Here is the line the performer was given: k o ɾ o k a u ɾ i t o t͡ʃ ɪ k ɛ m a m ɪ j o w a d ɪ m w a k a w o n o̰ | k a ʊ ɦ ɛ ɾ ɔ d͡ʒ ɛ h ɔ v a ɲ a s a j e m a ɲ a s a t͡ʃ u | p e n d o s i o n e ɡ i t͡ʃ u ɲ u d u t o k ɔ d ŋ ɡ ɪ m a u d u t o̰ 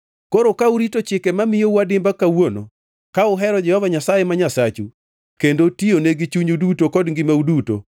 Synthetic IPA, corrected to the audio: k o ɾ o k a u ɾ i t o t͡ʃ ɪ k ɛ m a m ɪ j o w a d ɪ m b a k a w o n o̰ | k a ʊ ɦ ɛ ɾ ɔ d͡ʒ ɛ h ɔ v a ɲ a s a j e m a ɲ a s a t͡ʃ u | k e n d o t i o n e ɡ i t͡ʃ u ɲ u d u t o k ɔ d ŋ ɡ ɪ m a u d u t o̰